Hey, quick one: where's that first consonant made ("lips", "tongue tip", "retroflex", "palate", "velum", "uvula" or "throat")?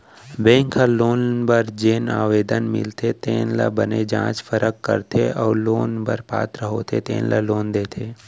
lips